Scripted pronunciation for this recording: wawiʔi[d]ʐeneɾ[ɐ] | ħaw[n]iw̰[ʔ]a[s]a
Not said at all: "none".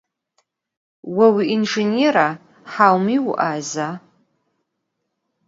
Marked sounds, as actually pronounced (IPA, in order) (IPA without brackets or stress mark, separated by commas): n, a, m, ʔ, z